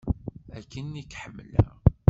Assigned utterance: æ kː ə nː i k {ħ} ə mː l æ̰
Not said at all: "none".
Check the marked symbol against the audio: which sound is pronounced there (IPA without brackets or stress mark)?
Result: ħ